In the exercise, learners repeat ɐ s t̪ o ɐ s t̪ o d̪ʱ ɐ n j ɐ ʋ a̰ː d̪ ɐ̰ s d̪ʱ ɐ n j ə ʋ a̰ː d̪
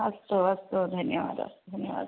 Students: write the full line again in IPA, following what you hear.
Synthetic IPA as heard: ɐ s t̪ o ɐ s t̪ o d̪ʱ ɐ n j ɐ ʋ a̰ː d̪ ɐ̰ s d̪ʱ ɐ n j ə ʋ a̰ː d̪